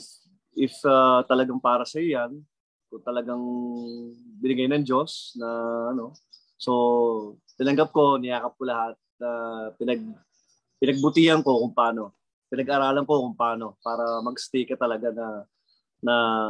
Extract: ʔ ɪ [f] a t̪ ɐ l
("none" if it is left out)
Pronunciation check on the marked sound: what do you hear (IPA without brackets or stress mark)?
f